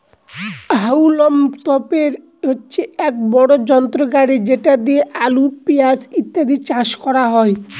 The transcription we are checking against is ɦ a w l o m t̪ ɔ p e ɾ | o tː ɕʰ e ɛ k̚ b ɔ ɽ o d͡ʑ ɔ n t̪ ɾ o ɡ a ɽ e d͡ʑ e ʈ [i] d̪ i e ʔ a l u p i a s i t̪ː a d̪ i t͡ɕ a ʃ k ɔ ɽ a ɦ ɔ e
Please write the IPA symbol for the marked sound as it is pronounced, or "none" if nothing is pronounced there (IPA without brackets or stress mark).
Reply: a